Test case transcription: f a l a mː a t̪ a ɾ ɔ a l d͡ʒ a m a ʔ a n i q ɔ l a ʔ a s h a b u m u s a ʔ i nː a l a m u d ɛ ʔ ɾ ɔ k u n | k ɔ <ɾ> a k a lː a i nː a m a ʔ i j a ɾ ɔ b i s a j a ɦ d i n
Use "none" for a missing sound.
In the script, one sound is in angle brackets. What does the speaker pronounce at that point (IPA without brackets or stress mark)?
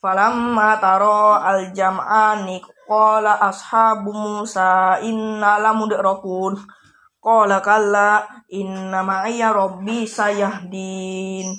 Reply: l